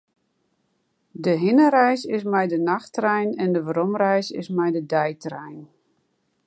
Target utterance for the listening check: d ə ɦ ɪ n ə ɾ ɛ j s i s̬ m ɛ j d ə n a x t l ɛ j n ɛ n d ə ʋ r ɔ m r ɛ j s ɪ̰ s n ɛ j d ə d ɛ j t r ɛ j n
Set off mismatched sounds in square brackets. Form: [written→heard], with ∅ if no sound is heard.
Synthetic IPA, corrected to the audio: d ə ɦ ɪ n ə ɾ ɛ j s [i→ɪ] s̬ m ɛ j d ə n a x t [l→r] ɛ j n ɛ n d ə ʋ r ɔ m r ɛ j s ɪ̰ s [n→m] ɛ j d ə d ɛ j t r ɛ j n

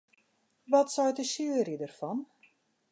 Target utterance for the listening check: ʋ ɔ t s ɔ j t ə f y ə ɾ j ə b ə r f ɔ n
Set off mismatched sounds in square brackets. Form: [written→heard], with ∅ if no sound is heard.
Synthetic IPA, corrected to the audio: ʋ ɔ t s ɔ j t ə [f→s] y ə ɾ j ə [b→d] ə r f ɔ n

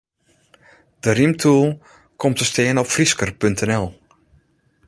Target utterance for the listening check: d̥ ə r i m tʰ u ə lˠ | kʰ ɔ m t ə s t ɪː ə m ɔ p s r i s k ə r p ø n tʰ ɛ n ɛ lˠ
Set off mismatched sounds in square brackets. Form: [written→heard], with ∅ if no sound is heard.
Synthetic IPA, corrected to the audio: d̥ ə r i m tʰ u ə lˠ | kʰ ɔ m t ə s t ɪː ə [m→n] ɔ p [s→f] r i s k ə r p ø n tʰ ɛ n ɛ lˠ

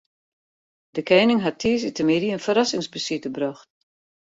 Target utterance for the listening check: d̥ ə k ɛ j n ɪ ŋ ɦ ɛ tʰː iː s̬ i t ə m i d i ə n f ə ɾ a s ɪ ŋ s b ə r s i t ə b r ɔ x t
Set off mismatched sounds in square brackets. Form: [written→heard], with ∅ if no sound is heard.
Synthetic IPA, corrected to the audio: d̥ ə k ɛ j n ɪ ŋ ɦ [ɛ→a] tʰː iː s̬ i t ə m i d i ə n f ə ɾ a s ɪ ŋ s b ə [r→∅] s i t ə b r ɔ x t

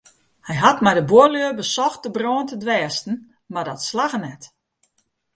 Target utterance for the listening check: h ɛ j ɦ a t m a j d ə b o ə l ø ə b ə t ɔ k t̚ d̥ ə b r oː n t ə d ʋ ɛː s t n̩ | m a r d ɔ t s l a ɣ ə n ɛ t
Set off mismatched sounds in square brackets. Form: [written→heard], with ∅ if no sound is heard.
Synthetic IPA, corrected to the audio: h ɛ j ɦ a t m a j d ə b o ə l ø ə b ə [t→s] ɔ [k→x] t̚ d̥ ə b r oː n t ə d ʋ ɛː s t n̩ | m a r d ɔ t s l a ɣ ə n ɛ t

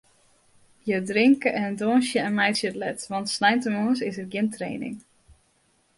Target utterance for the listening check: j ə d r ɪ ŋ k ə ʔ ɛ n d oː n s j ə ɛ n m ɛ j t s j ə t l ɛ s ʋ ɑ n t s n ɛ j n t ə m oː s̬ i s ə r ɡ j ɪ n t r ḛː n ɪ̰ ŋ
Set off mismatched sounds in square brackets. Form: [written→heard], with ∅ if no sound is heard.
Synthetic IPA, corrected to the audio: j ə d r ɪ ŋ k ə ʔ ɛ n d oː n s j ə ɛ n m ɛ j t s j ə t l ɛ [s→t] ʋ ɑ n t s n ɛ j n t ə m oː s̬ [i→ɪ] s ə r ɡ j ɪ n t r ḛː n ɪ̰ ŋ

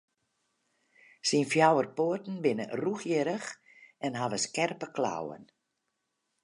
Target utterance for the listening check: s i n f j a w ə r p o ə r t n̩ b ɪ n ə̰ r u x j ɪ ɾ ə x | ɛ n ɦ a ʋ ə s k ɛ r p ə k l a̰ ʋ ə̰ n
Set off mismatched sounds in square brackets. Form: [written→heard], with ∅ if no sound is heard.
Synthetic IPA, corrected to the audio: s i n f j a w ə r p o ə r t n̩ b ɪ n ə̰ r u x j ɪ ɾ ə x | ɛ n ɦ a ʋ ə s k ɛ r p ə k l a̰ [ʋ→w] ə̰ n

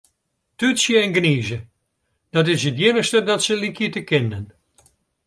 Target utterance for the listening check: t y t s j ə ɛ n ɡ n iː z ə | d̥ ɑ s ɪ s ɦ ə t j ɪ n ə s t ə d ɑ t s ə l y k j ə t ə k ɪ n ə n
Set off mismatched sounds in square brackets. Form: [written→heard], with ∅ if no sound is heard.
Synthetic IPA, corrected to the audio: t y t s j ə ɛ n ɡ n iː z ə | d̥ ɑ [s→t] ɪ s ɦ ə t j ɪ n ə s t ə d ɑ t s ə l [y→i] k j ə t ə k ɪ n ə n

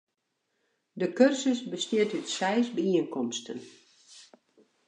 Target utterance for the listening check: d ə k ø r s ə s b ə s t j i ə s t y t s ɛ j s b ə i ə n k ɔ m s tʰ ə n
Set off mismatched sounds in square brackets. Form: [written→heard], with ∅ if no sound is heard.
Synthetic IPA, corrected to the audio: d ə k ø r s ə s b ə s t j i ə [s→∅] t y t s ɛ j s b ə i ə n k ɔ m s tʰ ə n

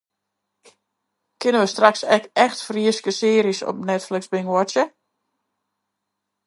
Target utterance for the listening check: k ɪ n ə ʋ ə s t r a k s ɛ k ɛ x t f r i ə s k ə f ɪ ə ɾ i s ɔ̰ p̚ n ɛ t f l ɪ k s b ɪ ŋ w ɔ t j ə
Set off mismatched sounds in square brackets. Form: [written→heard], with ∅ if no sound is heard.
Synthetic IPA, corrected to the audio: k ɪ n ə ʋ ə s t r a k s ɛ k ɛ x t f r i ə s k ə [f→s] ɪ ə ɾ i s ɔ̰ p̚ n ɛ t f l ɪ k s b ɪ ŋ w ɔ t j ə

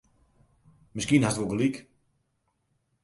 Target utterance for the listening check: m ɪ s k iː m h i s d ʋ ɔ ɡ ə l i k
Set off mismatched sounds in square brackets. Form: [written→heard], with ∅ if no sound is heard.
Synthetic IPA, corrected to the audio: m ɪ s k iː [m→n] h [i→a] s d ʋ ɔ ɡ ə l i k

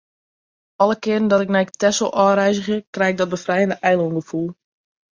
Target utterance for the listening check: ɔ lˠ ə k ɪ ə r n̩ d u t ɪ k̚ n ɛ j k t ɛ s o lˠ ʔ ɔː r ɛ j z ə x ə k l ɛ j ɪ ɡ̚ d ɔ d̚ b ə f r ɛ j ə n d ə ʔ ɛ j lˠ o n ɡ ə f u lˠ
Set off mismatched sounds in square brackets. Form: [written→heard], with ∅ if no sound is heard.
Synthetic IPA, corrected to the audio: ɔ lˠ ə k ɪ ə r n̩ d [u→ɔ] t ɪ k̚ n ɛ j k t ɛ s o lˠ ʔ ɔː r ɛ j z ə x ə k [l→r] ɛ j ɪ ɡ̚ d ɔ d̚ b ə f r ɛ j ə n d ə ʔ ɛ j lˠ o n ɡ ə f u lˠ

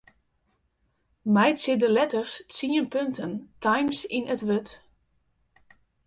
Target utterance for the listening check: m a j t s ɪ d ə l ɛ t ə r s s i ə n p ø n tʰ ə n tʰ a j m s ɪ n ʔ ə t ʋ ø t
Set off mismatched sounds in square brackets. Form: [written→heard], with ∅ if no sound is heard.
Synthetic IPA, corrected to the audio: m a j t s ɪ d ə l ɛ t ə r s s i ə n p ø n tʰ ə n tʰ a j m s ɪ n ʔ ə t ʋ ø t

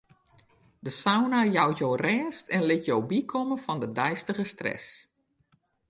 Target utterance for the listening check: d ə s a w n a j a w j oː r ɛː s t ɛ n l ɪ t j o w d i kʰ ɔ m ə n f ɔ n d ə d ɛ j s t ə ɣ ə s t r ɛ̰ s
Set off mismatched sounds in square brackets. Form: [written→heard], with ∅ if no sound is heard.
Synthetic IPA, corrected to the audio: d ə s a w n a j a w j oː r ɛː s t ɛ n l ɪ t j o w [d→b] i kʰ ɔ m ə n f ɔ n d ə d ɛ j s t ə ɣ ə s t r ɛ̰ s

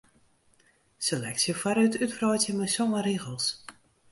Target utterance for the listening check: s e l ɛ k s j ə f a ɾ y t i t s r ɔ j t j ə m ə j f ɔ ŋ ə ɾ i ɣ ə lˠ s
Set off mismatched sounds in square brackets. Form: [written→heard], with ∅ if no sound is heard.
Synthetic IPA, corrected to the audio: s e l ɛ k s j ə f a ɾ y t [i→y] t [s→f] r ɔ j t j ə m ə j [f→s] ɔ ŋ ə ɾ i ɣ ə lˠ s

